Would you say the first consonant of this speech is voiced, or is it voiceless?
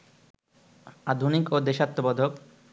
voiced